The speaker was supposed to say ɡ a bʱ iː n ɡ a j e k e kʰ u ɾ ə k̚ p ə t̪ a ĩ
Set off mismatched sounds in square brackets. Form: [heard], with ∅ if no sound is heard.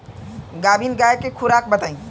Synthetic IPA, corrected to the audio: ɡ a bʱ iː n ɡ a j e k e kʰ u ɾ [a] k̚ [b] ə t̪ a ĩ

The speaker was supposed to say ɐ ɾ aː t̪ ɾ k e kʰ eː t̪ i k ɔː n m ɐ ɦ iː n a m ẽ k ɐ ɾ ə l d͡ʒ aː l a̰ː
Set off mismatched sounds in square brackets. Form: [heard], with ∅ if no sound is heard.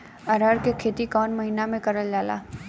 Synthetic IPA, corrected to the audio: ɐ ɾ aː [∅] ɾ k e kʰ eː t̪ i k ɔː n m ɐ ɦ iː n a m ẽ k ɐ ɾ ə l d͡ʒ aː l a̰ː

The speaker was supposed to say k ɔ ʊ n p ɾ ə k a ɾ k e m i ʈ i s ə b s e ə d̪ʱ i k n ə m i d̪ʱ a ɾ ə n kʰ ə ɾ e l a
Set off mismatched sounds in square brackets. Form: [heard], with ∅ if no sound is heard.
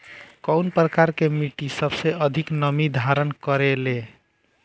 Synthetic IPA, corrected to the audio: k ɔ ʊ n p ɾ ə k a ɾ k e m i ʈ i s ə b s e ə d̪ʱ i k n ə m i d̪ʱ a ɾ ə n [k] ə ɾ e l [e]

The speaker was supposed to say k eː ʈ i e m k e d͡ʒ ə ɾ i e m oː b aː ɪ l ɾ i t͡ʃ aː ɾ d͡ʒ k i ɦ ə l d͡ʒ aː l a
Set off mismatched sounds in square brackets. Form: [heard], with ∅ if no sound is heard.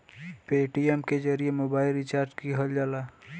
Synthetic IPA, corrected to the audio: [p] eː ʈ i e m k e d͡ʒ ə ɾ i e m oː b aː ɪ l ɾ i t͡ʃ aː ɾ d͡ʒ k i ɦ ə l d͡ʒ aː l a

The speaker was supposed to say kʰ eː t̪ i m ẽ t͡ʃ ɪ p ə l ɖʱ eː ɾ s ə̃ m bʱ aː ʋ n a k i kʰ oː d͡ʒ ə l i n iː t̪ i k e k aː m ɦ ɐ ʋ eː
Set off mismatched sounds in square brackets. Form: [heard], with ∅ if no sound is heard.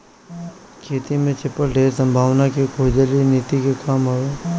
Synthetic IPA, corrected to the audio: kʰ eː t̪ i m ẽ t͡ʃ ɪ p ə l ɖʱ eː ɾ s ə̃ m bʱ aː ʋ n a k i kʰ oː d͡ʒ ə l i n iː t̪ i k e k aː m ɦ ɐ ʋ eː

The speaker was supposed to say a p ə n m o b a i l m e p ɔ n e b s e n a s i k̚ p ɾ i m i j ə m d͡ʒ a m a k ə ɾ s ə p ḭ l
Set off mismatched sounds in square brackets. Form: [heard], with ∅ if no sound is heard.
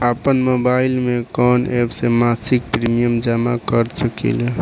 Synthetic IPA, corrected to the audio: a p ə n m o b a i l m e [k] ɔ n e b s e [m] a s i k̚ p ɾ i m i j ə m d͡ʒ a m a k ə ɾ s ə [k] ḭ l

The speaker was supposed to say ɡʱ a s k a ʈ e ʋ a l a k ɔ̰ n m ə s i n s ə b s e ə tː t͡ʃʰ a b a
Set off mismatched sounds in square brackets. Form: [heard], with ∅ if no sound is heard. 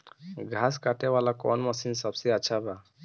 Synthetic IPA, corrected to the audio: ɡʱ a s k a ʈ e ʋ a l a k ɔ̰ n m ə s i n s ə b s e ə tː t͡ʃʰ a b a

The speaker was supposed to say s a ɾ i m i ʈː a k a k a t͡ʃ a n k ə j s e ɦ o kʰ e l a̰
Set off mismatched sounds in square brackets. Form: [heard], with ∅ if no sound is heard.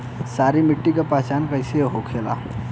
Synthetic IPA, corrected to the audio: s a ɾ i m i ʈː [i] k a [p] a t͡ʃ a n k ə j s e ɦ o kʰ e l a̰

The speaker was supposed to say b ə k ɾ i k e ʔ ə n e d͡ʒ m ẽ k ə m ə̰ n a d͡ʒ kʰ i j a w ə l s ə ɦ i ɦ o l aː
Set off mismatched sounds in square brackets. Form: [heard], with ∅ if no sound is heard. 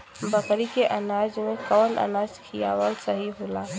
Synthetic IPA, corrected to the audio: b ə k ɾ i k e ʔ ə n [a] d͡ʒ m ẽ k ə [n] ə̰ n a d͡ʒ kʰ i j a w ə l s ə ɦ i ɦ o l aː

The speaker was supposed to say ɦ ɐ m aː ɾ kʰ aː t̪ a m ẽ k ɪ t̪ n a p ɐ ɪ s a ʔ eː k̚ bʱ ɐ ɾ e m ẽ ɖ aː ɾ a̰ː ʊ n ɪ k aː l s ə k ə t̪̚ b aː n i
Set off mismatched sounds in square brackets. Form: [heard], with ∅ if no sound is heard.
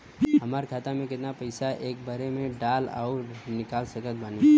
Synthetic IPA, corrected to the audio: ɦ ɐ m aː ɾ kʰ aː t̪ a m ẽ k ɪ t̪ n a p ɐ ɪ s a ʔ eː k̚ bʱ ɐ ɾ e m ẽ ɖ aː [l] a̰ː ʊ n ɪ k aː l s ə k ə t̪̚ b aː n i

